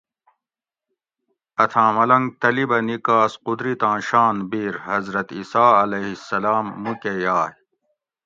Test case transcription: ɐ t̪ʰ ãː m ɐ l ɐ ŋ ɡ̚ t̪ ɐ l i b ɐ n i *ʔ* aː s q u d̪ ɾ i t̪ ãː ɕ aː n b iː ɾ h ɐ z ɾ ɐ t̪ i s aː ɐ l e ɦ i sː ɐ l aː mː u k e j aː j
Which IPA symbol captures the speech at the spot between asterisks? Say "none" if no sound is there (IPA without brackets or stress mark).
k